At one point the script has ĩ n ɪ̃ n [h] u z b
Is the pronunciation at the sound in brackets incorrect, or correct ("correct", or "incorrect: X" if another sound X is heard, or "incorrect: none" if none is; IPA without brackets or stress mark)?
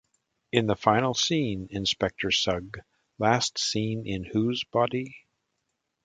correct